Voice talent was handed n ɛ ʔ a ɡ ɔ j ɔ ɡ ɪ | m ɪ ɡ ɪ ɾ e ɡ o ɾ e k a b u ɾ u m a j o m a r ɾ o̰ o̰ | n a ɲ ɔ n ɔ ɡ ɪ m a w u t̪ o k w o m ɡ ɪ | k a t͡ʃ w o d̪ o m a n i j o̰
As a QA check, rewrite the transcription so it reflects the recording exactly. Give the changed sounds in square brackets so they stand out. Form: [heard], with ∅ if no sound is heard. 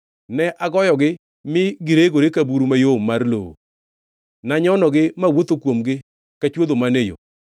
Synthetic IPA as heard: n ɛ ʔ a ɡ ɔ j ɔ ɡ ɪ | m ɪ ɡ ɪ ɾ e ɡ o ɾ e k a b u ɾ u m a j o m a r [l] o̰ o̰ | n a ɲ ɔ n ɔ ɡ ɪ m a w [o] t̪ o k w o m ɡ ɪ | k a t͡ʃ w o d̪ o m a n [e] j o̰